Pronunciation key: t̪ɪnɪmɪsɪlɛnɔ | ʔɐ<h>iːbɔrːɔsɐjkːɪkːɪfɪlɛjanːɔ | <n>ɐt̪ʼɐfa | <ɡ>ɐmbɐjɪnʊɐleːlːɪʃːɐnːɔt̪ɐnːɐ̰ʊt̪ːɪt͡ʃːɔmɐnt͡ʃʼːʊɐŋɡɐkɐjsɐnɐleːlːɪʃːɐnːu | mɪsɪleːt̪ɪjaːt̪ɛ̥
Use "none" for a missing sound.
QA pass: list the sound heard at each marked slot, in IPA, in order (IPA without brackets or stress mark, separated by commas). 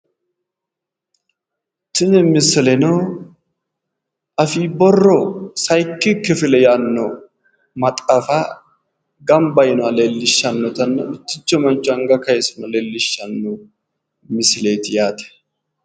f, m, ɡ